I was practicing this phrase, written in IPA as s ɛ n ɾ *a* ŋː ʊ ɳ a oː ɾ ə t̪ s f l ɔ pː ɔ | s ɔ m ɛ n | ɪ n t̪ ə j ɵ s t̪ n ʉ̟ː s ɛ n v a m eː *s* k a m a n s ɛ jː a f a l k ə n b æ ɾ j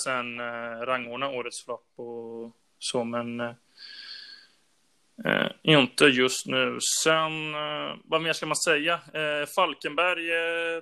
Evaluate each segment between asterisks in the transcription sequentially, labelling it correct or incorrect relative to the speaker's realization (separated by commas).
correct, incorrect